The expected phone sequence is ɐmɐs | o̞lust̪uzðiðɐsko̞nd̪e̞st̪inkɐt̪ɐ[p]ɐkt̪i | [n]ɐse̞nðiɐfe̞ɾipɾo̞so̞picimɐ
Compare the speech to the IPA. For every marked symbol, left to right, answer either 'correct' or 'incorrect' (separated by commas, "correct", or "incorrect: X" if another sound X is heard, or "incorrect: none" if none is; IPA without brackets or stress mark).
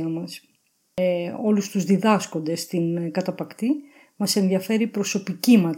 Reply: correct, incorrect: m